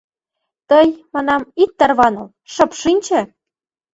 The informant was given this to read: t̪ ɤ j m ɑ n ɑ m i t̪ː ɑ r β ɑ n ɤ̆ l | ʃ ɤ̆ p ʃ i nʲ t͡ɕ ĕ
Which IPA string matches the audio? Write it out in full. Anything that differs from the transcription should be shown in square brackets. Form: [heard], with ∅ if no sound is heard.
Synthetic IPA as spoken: t̪ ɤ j m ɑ n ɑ m i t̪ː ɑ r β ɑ n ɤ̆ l | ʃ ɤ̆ p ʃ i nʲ t͡ɕ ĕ